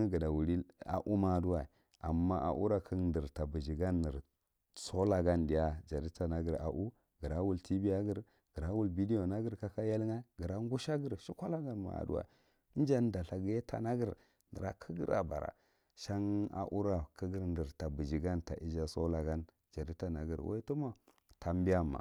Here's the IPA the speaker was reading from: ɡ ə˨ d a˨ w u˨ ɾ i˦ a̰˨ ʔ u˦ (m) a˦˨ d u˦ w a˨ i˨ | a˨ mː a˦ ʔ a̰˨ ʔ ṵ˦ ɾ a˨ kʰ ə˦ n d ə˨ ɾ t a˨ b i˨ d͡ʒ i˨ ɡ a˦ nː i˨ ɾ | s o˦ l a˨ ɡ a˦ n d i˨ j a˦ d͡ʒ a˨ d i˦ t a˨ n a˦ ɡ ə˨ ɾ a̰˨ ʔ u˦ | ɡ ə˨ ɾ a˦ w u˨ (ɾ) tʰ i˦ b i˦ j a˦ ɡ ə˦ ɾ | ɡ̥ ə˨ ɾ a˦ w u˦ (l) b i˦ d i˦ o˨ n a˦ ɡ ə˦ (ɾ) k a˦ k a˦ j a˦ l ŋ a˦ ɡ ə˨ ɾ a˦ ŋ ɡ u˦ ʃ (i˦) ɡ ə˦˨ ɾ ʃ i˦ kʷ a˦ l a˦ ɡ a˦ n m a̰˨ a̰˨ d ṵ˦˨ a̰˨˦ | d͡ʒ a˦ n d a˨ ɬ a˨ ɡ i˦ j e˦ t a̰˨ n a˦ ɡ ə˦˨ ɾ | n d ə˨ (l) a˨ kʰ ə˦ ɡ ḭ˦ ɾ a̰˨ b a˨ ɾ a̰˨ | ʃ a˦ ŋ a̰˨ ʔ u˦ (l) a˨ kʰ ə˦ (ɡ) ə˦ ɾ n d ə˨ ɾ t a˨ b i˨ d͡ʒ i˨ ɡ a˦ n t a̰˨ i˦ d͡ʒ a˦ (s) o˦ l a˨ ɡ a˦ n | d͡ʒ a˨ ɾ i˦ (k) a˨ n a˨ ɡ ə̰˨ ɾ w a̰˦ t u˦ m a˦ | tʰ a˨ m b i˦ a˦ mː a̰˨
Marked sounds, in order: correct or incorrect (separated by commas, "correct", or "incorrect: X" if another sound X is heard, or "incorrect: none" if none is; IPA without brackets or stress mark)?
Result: correct, incorrect: l, correct, correct, incorrect: a˦, incorrect: ɾ, incorrect: ɾ, correct, correct, incorrect: t